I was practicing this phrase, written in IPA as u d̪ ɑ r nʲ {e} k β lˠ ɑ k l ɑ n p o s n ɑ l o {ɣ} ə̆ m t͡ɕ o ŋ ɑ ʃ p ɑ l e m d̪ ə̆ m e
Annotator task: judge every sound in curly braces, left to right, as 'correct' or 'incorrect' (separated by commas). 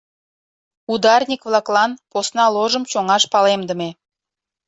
incorrect, incorrect